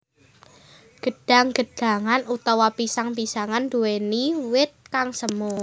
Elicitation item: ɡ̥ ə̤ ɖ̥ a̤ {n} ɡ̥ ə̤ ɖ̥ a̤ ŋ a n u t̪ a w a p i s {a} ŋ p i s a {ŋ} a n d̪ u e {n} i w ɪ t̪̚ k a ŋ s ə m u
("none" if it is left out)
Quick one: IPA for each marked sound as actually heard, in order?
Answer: ŋ, a, ŋ, n

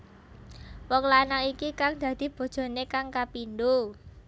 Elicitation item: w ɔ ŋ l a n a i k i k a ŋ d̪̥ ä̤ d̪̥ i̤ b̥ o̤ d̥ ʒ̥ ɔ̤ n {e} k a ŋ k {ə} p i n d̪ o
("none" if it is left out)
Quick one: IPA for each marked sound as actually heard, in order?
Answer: e, a

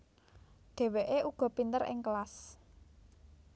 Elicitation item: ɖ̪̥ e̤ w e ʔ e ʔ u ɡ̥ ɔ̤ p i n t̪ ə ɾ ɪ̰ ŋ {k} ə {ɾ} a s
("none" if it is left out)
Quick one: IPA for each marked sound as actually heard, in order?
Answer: k, l

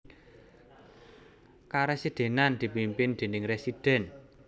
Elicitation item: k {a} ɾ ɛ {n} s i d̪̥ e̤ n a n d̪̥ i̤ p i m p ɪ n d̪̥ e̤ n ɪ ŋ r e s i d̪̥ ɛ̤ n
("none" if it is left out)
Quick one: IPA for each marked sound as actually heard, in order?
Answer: a, none

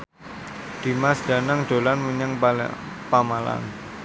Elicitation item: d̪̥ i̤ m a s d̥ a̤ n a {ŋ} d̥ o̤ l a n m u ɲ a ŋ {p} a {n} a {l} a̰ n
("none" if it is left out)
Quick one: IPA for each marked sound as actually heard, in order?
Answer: ŋ, p, m, l

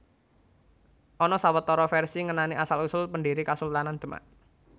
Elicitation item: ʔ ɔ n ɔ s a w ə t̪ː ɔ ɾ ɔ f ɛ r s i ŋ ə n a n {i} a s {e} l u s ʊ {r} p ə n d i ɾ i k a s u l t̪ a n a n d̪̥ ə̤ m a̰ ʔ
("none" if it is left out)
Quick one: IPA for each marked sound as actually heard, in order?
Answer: i, a, l

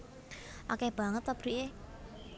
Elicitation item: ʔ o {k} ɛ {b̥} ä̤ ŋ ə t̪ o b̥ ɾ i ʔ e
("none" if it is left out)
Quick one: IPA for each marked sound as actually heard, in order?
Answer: k, b̥

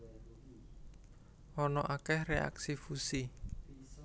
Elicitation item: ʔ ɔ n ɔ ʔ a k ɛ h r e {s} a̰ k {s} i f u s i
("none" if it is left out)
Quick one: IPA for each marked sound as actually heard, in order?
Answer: none, s

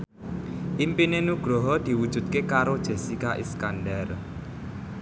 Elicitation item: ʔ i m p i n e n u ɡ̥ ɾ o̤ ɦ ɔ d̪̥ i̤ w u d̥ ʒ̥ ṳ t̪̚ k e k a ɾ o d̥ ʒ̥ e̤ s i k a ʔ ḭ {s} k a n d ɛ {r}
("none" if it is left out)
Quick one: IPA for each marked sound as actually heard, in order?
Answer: s, r

